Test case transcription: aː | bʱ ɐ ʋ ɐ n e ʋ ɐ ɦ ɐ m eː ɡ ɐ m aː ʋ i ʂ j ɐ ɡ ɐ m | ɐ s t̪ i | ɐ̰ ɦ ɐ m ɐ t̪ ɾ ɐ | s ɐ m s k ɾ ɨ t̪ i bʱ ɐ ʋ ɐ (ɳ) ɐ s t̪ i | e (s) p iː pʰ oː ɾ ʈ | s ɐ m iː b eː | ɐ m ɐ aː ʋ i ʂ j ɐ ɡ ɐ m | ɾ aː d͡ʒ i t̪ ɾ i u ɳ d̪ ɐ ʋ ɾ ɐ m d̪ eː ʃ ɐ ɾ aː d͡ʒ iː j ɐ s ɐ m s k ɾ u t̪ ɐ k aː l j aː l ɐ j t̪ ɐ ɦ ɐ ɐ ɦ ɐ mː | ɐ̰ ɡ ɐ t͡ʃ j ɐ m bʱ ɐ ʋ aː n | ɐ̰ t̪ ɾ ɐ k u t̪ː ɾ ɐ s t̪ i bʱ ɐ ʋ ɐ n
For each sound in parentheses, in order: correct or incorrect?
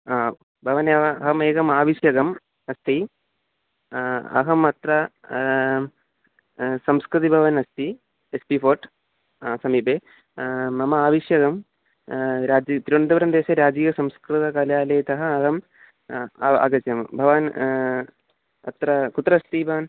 incorrect: n, correct

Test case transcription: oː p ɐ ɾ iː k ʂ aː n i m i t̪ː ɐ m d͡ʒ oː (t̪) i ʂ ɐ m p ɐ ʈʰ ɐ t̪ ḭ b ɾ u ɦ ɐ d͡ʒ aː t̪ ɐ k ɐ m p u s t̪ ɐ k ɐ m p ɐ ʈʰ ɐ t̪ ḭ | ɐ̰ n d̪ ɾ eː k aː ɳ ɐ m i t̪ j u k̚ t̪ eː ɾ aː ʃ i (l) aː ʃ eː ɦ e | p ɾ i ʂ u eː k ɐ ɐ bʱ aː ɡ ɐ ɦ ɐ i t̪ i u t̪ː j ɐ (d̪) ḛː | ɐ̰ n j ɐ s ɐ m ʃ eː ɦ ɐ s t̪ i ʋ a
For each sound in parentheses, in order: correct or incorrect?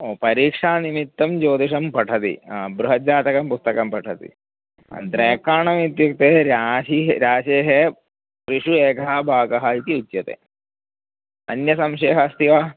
incorrect: d̪, incorrect: ɾ, incorrect: t̪

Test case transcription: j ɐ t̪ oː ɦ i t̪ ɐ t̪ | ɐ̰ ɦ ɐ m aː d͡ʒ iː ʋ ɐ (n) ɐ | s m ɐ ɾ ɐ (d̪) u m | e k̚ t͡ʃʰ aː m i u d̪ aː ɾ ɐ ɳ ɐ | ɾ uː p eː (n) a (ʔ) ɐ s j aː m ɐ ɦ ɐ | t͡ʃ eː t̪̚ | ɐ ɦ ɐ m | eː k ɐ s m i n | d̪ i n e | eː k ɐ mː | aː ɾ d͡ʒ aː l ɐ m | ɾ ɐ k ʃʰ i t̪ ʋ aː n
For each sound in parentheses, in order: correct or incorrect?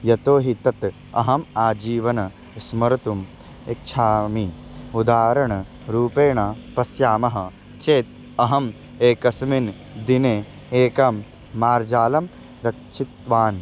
correct, incorrect: t̪, incorrect: ɳ, incorrect: p

